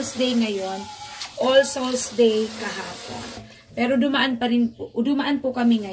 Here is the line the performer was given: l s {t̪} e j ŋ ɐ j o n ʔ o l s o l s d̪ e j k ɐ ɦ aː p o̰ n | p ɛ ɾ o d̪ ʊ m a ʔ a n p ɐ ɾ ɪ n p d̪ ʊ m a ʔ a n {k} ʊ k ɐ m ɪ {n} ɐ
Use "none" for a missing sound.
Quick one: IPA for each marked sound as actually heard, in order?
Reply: d̪, p, ŋ

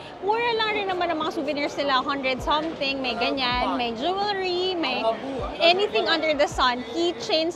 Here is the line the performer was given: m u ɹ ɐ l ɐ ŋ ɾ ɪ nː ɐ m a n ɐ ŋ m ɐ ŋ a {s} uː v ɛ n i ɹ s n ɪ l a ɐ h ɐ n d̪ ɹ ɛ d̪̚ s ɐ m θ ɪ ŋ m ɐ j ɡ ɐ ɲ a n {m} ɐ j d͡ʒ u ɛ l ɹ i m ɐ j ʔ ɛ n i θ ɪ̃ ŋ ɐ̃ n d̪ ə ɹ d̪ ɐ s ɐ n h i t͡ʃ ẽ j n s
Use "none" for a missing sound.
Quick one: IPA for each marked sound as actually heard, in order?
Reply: s, m

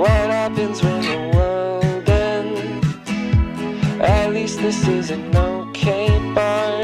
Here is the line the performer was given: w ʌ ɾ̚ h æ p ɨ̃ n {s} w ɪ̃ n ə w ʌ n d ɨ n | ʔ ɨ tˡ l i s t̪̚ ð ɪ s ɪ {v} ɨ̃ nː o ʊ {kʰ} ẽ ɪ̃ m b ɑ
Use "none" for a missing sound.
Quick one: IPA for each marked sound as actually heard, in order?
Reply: z, z, kʰ

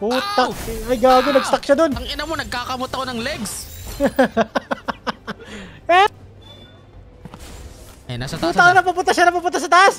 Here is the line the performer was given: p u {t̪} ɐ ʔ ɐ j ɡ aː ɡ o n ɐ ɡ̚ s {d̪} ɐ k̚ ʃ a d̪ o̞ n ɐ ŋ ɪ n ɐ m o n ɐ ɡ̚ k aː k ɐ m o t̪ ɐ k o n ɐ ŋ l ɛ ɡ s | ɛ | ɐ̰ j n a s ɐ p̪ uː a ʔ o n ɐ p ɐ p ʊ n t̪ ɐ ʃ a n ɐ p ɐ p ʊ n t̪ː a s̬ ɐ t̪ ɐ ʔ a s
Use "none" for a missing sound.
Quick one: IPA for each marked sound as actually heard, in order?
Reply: t̪, t̪

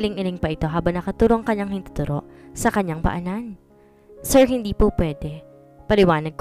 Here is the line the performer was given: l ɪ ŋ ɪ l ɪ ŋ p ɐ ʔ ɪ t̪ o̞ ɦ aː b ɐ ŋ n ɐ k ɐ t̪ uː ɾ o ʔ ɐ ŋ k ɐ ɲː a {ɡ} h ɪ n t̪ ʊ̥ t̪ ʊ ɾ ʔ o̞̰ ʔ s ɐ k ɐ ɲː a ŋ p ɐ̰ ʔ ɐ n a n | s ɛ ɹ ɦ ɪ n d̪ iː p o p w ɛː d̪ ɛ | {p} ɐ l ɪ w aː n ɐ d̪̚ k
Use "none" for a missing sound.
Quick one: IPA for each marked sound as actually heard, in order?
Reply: ŋ, p

